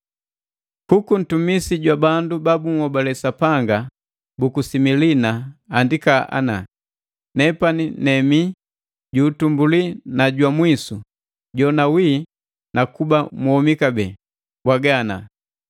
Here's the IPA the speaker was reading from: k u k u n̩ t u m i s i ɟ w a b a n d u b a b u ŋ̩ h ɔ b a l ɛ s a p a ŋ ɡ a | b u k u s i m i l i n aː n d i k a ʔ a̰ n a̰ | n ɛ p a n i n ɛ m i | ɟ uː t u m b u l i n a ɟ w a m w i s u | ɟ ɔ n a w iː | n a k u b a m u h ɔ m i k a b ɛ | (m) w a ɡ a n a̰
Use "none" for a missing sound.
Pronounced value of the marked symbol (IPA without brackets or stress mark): b